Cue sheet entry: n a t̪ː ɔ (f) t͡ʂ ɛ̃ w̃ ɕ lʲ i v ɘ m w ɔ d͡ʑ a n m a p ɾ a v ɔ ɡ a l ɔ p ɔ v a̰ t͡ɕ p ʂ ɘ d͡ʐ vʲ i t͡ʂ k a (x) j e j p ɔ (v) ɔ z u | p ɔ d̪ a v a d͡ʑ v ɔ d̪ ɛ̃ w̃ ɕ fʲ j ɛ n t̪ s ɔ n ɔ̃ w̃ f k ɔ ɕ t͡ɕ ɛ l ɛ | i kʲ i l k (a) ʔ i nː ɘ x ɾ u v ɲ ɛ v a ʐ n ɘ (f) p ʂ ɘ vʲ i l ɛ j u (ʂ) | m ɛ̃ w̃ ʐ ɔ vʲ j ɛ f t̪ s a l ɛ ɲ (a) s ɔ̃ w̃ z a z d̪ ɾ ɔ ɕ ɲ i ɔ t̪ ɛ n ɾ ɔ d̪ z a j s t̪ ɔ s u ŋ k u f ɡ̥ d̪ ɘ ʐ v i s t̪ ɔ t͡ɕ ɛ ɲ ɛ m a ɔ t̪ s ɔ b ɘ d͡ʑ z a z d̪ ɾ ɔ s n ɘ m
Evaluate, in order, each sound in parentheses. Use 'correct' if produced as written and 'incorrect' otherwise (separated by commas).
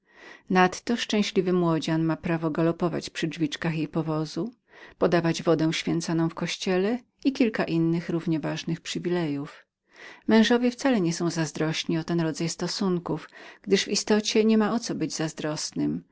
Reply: incorrect, correct, correct, correct, incorrect, incorrect, incorrect